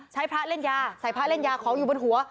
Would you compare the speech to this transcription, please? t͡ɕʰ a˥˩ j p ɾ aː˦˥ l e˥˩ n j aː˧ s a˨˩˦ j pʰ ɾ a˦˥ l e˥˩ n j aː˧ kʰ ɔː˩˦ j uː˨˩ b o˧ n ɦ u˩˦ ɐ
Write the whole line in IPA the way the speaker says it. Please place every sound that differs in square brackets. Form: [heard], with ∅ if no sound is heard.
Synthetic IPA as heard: t͡ɕʰ [a˦˥] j [pʰ] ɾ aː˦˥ l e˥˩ n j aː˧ s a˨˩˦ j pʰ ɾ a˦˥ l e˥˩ n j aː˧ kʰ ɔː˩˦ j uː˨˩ b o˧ n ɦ u˩˦ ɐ